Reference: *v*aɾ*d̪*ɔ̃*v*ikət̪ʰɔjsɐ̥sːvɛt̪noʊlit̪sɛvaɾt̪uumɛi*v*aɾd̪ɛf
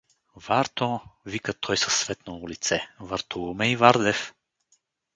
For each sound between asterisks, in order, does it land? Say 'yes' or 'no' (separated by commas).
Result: yes, no, yes, yes